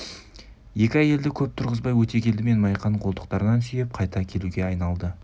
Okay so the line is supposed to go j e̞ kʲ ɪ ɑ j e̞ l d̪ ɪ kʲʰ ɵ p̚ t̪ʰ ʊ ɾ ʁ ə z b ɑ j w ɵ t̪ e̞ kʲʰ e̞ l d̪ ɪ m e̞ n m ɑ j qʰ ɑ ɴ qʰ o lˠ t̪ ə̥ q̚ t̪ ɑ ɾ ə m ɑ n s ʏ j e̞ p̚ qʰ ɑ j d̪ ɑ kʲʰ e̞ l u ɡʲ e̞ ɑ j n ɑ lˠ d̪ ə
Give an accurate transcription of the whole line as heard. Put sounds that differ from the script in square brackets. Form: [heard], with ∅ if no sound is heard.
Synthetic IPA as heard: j e̞ kʲ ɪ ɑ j e̞ l d̪ ɪ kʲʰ ɵ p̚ t̪ʰ ʊ ɾ ʁ ə z b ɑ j w ɵ t̪ e̞ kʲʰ e̞ l d̪ ɪ m e̞ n m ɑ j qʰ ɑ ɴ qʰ o lˠ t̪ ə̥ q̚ t̪ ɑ ɾ ə [n] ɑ n s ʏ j e̞ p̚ qʰ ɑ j [t̪] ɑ kʲʰ e̞ l u ɡʲ e̞ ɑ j n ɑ lˠ d̪ ə